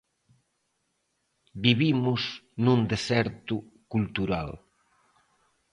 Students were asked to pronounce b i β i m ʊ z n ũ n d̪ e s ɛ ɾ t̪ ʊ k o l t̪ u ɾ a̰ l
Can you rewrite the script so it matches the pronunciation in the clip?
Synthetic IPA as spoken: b i β i m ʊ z n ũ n d̪ e s ɛ ɾ t̪ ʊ k u l t̪ u ɾ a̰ l